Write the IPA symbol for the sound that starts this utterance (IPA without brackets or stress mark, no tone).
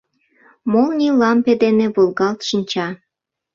m